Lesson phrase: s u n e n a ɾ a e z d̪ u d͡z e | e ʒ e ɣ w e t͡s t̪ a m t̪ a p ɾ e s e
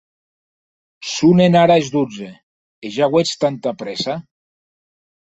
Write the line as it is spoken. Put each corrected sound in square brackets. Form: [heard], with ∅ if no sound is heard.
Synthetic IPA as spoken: s u n e n a ɾ a e z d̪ u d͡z e | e ʒ [a] ɣ w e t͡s t̪ a [n] t̪ a p ɾ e s [a]